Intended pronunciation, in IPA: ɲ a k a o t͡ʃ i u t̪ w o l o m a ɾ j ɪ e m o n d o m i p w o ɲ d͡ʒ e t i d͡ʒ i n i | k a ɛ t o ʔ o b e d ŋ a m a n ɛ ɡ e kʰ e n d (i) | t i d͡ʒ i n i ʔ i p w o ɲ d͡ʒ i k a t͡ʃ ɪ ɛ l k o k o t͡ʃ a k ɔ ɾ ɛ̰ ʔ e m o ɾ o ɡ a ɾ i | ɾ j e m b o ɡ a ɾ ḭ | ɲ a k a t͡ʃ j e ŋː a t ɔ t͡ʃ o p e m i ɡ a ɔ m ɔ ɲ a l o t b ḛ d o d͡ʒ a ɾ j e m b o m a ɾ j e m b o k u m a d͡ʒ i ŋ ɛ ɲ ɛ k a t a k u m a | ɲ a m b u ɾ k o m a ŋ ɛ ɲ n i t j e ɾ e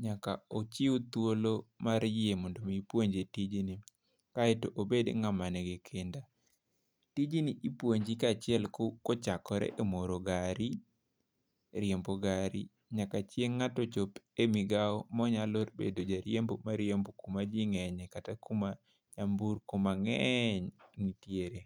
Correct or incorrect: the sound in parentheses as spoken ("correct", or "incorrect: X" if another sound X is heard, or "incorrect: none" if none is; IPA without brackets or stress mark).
incorrect: a